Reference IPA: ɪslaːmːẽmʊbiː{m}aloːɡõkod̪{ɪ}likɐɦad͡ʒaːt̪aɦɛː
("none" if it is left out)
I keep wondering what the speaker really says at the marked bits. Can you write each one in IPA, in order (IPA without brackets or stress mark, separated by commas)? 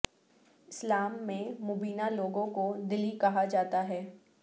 n, ɪ